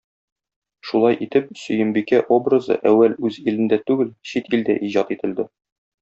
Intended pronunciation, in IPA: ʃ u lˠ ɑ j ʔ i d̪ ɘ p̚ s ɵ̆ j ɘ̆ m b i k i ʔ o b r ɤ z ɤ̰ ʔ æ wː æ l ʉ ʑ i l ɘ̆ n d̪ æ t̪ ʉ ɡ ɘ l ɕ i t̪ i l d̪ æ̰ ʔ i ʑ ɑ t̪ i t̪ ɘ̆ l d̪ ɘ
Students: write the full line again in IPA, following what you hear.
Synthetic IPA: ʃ u lˠ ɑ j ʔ i t̪ ɘ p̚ s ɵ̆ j ɘ̆ m b i k æ ʔ o b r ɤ z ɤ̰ ʔ æ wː æ l ʉ z i l ɘ̆ n d̪ æ t̪ ʉ ɡ ɘ l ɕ i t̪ i l d̪ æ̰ ʔ i ʑ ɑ t̪ i t̪ ɘ̆ l d̪ ɘ